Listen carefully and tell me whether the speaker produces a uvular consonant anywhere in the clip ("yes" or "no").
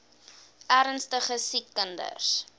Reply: yes